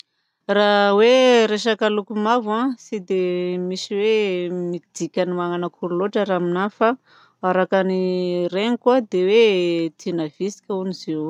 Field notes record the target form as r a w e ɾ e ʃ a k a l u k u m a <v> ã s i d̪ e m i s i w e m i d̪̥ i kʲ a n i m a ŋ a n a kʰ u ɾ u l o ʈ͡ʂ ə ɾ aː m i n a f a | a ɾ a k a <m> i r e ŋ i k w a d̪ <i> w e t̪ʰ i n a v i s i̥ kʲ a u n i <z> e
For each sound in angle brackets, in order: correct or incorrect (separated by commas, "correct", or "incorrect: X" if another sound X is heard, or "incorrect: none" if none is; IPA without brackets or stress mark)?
correct, incorrect: n, incorrect: e, correct